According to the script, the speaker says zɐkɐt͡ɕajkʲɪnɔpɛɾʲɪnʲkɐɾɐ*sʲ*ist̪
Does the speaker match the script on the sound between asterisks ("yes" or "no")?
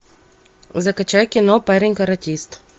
no